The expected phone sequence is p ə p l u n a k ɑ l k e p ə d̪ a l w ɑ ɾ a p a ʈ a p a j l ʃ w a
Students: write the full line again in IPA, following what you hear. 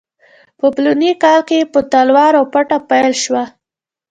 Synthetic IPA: p ə p l u n i k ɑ l k e p ə t̪ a l w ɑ ɾ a p a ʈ a p a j l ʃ w a